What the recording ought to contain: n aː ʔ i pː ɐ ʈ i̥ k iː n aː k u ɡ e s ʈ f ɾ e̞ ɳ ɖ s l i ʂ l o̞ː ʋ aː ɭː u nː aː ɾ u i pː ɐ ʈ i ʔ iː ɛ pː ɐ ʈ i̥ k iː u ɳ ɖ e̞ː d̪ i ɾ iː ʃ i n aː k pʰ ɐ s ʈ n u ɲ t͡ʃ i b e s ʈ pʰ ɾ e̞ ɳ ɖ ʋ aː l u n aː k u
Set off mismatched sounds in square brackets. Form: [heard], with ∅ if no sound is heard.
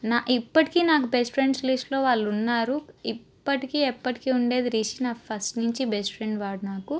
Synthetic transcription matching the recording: n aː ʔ i pː ɐ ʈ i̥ k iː n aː k u [b] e s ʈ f ɾ e̞ ɳ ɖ s l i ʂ l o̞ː ʋ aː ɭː u nː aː ɾ u i pː ɐ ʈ i [k] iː ɛ pː ɐ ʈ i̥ k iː u ɳ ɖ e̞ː d̪ i ɾ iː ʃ i n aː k pʰ ɐ s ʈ n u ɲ t͡ʃ i b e s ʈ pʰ ɾ e̞ ɳ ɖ ʋ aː [ɽ] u n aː k u